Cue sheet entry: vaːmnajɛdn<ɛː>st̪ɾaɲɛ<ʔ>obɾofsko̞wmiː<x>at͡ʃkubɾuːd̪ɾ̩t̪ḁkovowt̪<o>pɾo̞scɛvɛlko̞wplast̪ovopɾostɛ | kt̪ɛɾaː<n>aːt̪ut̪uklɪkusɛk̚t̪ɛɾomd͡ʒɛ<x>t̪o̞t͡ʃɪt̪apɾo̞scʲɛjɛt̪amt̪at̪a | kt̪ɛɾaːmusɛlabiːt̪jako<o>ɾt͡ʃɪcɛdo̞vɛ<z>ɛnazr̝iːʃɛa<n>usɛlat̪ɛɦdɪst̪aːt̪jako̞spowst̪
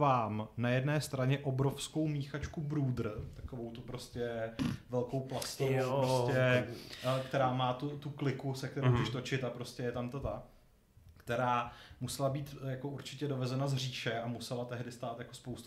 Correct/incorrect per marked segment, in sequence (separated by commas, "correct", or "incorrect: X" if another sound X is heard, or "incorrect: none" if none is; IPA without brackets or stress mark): correct, correct, correct, incorrect: u, incorrect: m, incorrect: ʃ, incorrect: u, correct, incorrect: m